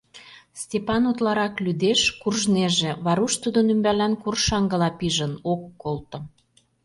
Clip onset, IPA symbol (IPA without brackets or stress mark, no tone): s